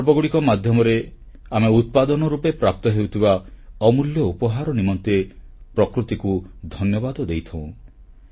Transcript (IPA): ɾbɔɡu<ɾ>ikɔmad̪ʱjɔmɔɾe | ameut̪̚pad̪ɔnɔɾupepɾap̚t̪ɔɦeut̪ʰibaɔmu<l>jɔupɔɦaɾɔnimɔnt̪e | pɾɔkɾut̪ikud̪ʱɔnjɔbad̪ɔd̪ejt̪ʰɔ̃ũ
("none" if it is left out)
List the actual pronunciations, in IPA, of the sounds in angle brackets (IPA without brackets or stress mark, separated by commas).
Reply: ɽ, l